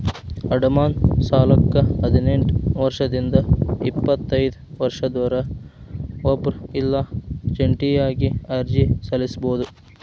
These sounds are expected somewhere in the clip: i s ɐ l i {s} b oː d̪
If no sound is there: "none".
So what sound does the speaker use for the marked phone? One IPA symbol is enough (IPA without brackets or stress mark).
s